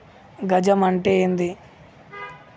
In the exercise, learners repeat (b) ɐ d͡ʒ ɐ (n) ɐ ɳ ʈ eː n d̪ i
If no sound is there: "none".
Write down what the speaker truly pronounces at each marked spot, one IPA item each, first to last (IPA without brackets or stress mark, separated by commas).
ɡ, m